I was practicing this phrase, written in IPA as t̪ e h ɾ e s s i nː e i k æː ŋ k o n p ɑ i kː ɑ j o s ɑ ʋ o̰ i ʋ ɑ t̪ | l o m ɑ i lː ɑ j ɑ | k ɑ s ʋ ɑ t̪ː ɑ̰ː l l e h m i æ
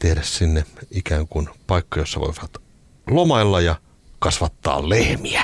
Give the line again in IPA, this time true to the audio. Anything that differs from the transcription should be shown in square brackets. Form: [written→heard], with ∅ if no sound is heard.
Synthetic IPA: t̪ e h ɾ [e→æ] s s i nː e i k æː ŋ k [o→u] n p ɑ i kː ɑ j o [s→sː] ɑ ʋ o̰ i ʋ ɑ t̪ | l o m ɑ i lː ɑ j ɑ | k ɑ s ʋ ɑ t̪ː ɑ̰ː l l e h m i æ